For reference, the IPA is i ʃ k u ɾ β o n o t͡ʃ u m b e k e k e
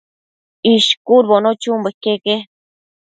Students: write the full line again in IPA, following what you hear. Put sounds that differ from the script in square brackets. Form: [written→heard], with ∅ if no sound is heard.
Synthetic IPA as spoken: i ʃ k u ɾ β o n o t͡ʃ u m b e k e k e

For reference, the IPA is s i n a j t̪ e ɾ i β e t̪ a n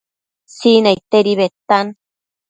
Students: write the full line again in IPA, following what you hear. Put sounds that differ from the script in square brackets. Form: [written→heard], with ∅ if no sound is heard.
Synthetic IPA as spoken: s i n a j t̪ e ɾ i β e t̪ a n

